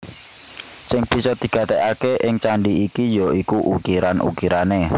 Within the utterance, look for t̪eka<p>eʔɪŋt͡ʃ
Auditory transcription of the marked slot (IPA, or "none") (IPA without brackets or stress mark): k